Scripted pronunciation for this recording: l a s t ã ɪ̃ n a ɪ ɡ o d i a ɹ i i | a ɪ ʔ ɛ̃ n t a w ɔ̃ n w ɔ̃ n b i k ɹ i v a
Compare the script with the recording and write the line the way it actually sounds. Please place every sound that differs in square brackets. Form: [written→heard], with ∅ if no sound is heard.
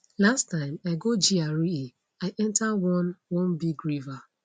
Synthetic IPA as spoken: l a s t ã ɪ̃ [n→m] a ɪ ɡ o [d→d͡ʒ] i a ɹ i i | a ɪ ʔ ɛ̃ n t a w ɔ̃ n w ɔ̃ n b i [k→ɡ] ɹ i v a